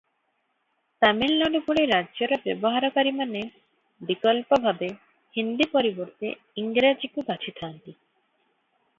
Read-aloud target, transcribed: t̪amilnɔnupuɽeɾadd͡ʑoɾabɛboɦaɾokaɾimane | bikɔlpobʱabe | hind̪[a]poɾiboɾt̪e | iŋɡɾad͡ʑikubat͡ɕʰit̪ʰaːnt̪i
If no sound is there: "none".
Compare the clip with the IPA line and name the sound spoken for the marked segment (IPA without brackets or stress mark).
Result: i